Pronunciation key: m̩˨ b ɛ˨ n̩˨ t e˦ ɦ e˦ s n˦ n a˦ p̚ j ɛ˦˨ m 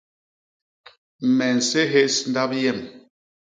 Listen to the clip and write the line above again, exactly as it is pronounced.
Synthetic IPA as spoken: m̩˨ m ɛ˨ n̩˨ s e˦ ɦ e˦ s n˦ d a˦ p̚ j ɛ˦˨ m